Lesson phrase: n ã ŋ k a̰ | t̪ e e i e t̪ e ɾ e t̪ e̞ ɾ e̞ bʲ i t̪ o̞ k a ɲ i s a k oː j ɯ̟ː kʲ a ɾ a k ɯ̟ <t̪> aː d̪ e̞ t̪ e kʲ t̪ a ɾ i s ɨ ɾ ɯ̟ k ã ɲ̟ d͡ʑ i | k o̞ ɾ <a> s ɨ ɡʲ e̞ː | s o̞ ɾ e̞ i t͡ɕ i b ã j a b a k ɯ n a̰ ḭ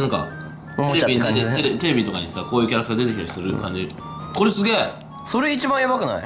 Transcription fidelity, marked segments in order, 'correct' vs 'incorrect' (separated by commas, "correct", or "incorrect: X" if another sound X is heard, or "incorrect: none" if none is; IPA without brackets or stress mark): correct, incorrect: e